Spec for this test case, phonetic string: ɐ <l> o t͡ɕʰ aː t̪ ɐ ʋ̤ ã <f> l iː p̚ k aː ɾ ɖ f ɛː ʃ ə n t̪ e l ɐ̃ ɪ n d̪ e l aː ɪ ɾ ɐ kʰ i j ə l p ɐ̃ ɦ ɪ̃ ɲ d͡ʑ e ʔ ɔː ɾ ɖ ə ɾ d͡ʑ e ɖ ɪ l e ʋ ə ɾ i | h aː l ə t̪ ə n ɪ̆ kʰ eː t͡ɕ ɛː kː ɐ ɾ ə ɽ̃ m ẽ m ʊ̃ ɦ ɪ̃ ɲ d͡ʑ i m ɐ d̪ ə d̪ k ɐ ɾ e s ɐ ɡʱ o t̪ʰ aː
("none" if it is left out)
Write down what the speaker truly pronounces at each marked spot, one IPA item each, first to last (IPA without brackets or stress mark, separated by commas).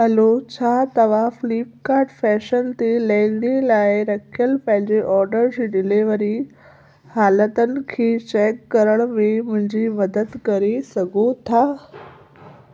l, f